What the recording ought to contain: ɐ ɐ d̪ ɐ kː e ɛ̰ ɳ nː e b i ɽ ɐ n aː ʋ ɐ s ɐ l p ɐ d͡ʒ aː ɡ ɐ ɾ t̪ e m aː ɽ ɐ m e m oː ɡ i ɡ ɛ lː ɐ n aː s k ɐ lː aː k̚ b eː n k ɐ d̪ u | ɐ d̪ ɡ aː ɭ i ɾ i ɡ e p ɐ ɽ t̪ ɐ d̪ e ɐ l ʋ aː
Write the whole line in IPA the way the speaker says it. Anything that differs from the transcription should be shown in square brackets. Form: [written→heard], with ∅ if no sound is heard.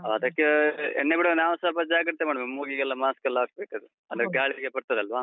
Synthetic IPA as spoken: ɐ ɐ d̪ ɐ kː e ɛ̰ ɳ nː e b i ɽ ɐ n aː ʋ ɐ s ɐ l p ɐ d͡ʒ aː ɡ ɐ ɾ t̪ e m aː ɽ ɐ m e m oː ɡ i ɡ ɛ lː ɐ [n→m] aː s k ɐ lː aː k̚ b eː [n→∅] k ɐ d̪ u | ɐ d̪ ɡ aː ɭ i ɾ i ɡ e p ɐ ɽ t̪ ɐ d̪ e ɐ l ʋ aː

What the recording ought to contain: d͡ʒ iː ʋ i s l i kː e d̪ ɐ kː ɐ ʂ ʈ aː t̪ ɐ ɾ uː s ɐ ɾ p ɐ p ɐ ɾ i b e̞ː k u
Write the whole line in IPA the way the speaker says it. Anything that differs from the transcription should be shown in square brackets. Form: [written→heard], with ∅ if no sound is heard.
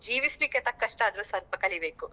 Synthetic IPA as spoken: d͡ʒ iː ʋ i s l i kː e [d̪→t̪] ɐ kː ɐ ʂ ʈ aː [t̪→d̪] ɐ ɾ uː s ɐ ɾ p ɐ [p→k] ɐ [ɾ→l] i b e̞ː k u

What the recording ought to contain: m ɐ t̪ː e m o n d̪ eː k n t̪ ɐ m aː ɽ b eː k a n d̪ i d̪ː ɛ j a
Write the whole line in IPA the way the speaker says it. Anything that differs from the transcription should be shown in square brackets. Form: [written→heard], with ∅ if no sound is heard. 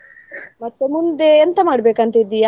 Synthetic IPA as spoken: m ɐ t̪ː e m [o→u] n d̪ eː [k→∅] n t̪ ɐ m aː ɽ b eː k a n [d̪→t̪] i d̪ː [ɛ→i] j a

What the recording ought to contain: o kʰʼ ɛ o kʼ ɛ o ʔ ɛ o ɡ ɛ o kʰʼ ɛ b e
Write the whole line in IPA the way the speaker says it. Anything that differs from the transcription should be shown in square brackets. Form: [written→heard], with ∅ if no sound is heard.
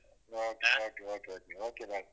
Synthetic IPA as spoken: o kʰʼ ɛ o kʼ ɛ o [ʔ→k] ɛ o [ɡ→k] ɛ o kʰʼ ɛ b [e→a]

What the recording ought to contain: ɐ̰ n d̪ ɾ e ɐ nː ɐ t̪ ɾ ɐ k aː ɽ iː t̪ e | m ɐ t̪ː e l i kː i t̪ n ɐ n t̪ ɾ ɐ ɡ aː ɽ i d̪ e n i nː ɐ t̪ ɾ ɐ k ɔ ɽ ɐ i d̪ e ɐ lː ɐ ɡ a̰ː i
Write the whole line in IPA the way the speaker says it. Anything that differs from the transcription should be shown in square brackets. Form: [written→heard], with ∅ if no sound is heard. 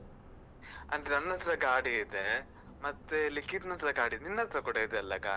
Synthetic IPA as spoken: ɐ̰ n d̪ ɾ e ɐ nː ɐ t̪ ɾ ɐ [k→ɡ] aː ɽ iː [t̪→d̪] e | m ɐ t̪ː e l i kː i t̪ n ɐ n t̪ ɾ ɐ ɡ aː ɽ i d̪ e n i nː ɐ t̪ ɾ ɐ k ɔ ɽ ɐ i d̪ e ɐ lː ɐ ɡ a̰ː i

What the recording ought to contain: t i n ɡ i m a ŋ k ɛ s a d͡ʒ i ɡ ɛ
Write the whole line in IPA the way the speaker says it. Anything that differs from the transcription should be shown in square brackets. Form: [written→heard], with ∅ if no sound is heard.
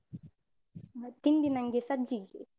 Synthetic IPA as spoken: t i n [ɡ→d] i [m→n] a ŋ [k→ɡ] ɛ s a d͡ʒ i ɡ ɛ

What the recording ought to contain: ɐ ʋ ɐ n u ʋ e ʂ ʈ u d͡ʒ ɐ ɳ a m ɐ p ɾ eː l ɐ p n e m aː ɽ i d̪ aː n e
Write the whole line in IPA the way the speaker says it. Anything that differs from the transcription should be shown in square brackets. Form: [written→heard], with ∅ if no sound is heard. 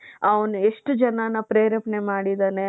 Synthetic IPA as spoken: ɐ ʋ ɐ n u [ʋ→∅] e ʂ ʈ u d͡ʒ ɐ [ɳ→n] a [m→n] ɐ p ɾ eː [l→ɾ] ɐ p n e m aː ɽ i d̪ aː n e

